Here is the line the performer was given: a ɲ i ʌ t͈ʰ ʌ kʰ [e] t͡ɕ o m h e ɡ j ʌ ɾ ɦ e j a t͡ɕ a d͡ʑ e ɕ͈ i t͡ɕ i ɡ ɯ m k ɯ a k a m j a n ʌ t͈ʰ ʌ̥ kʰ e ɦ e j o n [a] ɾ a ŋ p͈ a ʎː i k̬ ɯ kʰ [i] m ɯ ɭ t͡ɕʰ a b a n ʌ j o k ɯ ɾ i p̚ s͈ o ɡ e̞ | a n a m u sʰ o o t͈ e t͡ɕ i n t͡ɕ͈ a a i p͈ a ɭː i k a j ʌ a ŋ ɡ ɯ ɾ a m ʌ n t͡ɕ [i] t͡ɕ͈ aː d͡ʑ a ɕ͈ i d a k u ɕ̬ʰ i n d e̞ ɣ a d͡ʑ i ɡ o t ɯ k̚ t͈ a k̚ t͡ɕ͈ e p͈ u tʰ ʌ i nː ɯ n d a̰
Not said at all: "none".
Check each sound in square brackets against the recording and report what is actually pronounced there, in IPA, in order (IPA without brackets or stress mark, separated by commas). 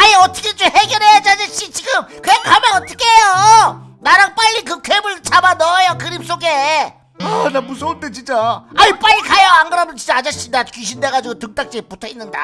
e, a, e, i